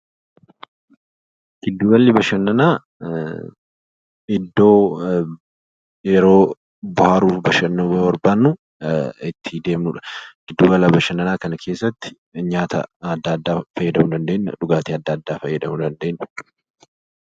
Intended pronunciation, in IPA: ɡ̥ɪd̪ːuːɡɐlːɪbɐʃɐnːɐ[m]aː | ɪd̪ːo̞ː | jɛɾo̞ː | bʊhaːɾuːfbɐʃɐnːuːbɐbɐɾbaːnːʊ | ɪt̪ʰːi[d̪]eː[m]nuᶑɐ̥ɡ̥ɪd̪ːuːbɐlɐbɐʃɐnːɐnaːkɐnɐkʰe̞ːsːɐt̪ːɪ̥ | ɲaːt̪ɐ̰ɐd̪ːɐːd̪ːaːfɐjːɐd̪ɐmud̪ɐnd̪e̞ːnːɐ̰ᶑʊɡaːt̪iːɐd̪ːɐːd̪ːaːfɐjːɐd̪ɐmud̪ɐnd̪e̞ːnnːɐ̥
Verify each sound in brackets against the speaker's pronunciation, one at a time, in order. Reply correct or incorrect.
incorrect, correct, correct

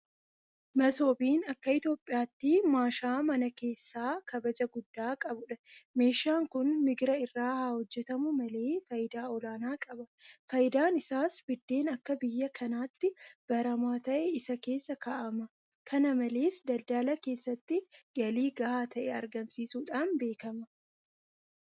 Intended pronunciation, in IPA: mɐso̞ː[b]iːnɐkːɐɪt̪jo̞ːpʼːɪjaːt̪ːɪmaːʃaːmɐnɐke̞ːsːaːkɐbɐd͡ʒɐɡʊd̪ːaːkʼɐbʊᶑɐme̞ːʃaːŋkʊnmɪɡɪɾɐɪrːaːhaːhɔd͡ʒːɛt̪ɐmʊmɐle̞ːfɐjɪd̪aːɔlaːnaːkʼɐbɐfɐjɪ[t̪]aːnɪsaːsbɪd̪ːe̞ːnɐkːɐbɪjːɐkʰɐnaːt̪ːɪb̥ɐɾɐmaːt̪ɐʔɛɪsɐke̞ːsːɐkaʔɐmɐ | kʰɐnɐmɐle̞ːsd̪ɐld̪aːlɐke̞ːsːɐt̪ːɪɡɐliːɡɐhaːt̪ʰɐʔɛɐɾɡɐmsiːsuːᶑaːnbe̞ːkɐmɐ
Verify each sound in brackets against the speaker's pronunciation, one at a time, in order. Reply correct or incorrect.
correct, incorrect

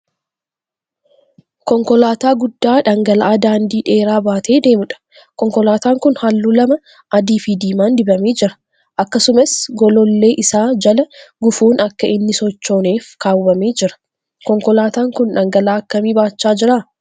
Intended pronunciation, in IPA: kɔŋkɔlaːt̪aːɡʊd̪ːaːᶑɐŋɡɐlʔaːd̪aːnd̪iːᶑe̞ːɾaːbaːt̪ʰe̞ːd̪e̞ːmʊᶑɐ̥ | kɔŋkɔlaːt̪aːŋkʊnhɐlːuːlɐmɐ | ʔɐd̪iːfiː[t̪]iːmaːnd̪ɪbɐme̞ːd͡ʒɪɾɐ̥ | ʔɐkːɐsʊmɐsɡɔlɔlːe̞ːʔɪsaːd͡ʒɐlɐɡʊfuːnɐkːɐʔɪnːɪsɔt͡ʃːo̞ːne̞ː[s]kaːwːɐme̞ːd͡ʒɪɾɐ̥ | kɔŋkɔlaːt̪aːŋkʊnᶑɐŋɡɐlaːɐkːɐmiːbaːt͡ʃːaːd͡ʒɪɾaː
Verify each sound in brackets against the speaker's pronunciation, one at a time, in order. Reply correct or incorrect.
incorrect, incorrect

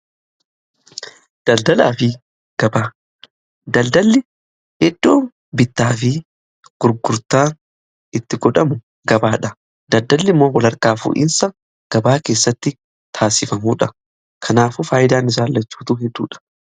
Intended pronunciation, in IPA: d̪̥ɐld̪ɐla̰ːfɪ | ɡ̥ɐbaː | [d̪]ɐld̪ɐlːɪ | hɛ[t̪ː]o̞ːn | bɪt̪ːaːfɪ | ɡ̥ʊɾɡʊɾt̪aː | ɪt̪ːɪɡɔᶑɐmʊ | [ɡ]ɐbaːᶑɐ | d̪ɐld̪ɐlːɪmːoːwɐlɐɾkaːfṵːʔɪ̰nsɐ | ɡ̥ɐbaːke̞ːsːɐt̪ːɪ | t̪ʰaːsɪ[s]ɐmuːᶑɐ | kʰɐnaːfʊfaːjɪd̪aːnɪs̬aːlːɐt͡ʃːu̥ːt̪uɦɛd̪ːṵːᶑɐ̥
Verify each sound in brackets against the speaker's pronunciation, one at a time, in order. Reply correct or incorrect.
correct, incorrect, correct, incorrect

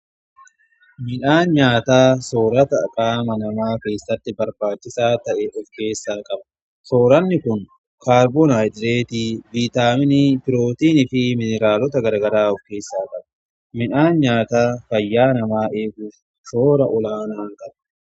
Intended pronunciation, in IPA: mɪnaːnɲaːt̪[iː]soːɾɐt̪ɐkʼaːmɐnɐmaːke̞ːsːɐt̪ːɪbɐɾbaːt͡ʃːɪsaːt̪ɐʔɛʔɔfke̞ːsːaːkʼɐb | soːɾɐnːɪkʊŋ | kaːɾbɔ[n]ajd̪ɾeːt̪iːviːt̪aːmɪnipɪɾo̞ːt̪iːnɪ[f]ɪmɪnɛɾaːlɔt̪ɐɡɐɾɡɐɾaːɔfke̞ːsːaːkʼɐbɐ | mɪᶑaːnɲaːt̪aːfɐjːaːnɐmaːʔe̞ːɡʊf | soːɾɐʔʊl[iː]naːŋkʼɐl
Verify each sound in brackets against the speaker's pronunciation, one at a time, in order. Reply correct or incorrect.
incorrect, correct, correct, incorrect

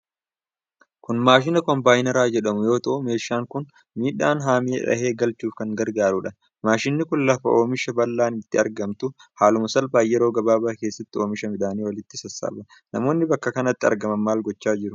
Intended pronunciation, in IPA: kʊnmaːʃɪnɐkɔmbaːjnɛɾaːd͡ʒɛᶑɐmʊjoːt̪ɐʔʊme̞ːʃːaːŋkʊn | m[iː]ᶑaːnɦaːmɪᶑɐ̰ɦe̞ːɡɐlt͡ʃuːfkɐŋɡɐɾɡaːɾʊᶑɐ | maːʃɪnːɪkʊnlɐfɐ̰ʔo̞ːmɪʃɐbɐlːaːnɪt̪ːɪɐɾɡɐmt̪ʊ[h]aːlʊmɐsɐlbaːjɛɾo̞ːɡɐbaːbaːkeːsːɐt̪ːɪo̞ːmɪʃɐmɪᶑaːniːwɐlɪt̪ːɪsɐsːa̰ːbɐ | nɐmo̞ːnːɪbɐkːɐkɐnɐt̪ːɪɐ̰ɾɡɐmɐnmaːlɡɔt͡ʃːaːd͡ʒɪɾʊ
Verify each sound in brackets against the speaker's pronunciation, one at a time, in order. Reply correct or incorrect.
correct, correct

